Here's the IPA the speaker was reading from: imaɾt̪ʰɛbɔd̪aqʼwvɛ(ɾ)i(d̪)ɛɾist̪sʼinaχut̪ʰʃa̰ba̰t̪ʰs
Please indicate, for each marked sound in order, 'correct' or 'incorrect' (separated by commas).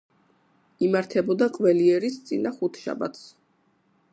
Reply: incorrect, incorrect